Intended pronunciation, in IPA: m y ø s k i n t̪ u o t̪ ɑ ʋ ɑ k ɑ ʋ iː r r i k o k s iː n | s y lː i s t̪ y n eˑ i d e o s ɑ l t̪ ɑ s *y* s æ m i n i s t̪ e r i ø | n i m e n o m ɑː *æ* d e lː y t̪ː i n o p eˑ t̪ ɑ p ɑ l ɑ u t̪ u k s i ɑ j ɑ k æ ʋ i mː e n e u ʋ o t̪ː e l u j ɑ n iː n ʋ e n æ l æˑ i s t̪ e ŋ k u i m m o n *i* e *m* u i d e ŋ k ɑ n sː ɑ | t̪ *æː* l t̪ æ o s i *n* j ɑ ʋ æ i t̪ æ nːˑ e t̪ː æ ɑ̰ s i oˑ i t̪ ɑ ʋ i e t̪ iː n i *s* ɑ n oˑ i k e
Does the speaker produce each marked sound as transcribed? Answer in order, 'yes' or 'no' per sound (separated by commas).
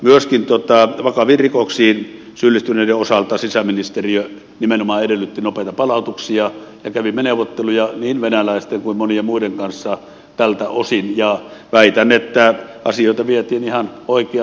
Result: no, no, yes, yes, no, yes, no